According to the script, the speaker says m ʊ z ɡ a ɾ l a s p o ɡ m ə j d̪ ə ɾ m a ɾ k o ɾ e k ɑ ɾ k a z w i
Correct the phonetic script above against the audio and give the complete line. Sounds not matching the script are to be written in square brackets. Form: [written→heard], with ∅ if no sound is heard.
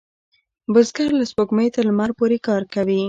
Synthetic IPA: [m→b] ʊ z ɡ a ɾ l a s p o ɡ m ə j [d̪→t̪] ə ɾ m a ɾ [k→p] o ɾ e k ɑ ɾ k a [z→∅] w i